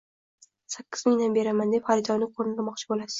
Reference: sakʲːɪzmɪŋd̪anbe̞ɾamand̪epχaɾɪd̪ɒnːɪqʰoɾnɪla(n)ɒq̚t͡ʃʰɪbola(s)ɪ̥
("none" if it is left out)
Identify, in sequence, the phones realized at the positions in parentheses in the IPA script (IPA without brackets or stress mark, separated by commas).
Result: m, s